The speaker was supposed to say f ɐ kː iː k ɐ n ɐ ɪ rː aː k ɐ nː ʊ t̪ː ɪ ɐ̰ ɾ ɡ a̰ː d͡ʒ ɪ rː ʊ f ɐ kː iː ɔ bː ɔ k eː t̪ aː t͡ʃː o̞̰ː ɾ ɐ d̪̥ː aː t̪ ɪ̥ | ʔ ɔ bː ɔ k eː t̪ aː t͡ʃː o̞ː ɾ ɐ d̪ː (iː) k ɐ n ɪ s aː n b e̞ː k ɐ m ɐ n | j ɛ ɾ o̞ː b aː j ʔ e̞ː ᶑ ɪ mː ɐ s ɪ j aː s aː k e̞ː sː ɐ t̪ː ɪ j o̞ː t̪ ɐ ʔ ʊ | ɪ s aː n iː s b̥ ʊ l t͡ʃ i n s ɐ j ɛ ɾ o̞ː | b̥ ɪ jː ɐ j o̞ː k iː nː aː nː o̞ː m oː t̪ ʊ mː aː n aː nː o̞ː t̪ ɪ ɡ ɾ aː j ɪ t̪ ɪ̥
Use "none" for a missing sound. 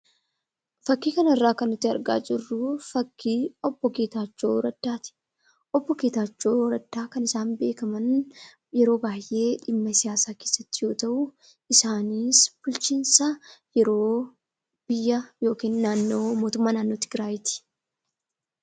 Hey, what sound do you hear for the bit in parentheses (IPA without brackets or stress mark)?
aː